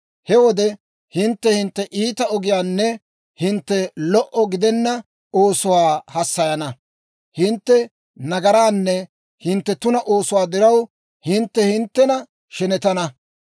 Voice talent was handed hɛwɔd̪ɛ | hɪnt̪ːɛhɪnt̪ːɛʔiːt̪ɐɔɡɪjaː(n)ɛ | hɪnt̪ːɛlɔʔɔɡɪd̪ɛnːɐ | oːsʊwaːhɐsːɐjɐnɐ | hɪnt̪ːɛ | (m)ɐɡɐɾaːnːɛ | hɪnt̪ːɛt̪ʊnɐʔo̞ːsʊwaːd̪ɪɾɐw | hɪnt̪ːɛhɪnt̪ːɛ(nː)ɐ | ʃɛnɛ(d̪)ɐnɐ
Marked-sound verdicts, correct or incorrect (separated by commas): incorrect, incorrect, incorrect, incorrect